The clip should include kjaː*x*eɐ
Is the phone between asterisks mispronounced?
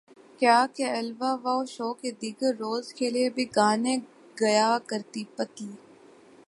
yes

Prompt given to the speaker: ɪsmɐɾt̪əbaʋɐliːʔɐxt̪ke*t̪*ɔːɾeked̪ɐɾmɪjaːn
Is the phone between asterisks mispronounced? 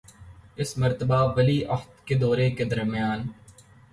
yes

